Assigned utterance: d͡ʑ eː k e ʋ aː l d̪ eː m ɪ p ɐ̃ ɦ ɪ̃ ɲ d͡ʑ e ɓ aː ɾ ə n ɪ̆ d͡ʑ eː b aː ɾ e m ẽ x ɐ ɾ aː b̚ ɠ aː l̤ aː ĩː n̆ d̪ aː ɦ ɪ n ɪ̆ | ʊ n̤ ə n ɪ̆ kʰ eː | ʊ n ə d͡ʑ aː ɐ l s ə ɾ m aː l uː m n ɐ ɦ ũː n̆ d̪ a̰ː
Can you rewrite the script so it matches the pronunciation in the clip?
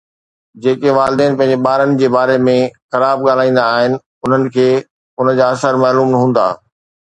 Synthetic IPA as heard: d͡ʑ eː k e ʋ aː l d̪ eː n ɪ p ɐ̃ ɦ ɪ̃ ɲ d͡ʑ e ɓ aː ɾ ə n ɪ̆ d͡ʑ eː b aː ɾ e m ẽ x ɐ ɾ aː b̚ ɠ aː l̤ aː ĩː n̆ d̪ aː ɦ ɪ n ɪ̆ | ʊ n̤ ə n ɪ̆ kʰ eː | ʊ n ə d͡ʑ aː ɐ s ə ɾ m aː l uː m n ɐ ɦ ũː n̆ d̪ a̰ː